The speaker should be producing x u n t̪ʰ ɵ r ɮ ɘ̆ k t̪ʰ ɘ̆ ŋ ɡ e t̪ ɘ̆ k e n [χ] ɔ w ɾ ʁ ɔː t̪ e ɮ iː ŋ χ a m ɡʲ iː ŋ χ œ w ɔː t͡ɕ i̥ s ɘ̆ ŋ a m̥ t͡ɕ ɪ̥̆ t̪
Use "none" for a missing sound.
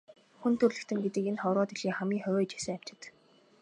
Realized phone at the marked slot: χ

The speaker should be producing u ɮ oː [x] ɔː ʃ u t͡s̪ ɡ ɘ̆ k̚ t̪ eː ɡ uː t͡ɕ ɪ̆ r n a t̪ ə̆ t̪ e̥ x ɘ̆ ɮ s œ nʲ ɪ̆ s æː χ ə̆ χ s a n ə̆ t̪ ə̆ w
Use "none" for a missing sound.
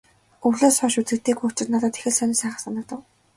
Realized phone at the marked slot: s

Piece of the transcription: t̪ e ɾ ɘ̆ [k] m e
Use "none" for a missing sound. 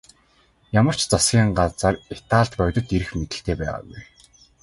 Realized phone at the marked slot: x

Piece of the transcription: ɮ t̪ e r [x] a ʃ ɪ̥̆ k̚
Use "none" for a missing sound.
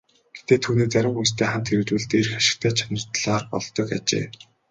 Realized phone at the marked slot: x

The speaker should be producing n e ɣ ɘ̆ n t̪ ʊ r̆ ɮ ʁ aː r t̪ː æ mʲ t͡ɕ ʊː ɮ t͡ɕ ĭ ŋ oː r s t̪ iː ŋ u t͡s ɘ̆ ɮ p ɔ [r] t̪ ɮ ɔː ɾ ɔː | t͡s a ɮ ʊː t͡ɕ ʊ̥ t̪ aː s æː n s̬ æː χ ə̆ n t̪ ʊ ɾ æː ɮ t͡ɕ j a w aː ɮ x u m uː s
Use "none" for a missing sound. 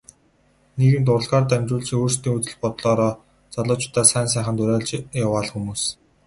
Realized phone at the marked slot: none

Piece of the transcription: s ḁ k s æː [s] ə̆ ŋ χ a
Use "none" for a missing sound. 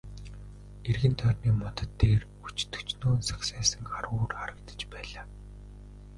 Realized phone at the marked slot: s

